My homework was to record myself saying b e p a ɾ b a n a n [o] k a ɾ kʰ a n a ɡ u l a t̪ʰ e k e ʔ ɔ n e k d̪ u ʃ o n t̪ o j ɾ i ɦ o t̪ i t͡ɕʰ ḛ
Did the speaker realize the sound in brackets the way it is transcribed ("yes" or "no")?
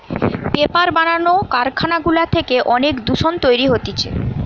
yes